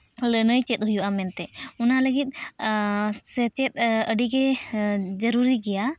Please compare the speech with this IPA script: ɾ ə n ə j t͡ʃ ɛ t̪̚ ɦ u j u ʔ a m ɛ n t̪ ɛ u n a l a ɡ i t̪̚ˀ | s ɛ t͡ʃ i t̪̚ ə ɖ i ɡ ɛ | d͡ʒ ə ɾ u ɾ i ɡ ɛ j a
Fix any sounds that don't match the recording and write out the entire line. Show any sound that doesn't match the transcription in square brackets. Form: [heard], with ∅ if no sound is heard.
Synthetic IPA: [l] ə n ə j t͡ʃ ɛ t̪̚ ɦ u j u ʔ a m ɛ n t̪ ɛ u n a l [ə] ɡ i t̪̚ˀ | s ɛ t͡ʃ [ɛ] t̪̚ ə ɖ i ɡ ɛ | d͡ʒ ə ɾ u ɾ i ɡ ɛ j a